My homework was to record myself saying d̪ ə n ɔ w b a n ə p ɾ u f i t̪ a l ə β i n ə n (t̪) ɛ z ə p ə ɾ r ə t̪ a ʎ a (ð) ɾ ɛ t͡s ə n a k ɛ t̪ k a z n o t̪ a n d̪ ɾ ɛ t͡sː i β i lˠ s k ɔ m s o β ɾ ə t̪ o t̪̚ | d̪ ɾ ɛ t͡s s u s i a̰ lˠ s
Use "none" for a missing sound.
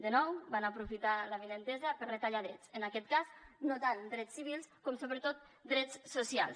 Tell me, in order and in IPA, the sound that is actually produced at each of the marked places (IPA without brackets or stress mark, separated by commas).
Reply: t̪, ð